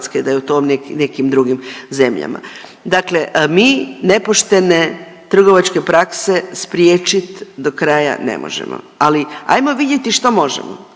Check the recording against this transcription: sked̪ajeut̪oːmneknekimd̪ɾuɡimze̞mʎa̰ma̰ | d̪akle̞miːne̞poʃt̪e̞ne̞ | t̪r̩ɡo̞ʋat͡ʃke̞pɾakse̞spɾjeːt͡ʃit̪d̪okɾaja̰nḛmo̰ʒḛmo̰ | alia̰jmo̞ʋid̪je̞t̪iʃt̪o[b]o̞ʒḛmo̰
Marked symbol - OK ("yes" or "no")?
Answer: no